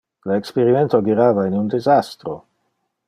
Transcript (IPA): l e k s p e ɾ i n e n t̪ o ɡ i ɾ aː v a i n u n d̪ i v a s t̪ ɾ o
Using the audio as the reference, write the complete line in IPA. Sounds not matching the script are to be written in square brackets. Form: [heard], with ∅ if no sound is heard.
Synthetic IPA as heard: l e k s p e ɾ i [m] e n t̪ o ɡ i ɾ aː v a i n u n d̪ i [z] a s t̪ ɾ o